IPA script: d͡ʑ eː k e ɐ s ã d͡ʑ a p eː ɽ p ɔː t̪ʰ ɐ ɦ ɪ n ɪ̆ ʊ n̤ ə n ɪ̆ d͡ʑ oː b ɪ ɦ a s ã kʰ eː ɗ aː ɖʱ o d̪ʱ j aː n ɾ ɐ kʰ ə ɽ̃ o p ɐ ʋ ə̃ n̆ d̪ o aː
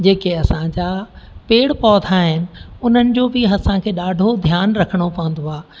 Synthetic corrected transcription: d͡ʑ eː k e ɐ s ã d͡ʑ a p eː ɽ p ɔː t̪ʰ a ɦ ɪ n ɪ̆ ʊ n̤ ə n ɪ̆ d͡ʑ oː b ɪ ɦ ɐ s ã kʰ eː ɗ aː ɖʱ o d̪ʱ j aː n ɾ ɐ kʰ ə ɽ̃ o p ɐ ʋ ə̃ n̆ d̪ o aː